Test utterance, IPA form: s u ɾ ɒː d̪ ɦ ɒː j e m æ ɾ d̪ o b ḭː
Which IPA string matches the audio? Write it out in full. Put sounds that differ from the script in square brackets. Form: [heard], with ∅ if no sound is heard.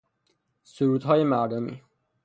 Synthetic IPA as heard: s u ɾ [uː] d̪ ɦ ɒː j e m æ ɾ d̪ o [m] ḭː